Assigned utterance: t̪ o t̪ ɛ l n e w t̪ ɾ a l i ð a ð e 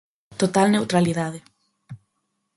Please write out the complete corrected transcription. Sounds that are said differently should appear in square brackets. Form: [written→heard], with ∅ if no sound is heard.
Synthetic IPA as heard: t̪ o t̪ [ɛ→a] l n e w t̪ ɾ a l i ð a ð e